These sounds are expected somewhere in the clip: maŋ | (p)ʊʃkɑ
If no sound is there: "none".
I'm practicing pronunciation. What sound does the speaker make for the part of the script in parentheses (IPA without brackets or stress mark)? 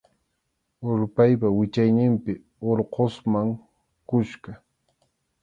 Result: k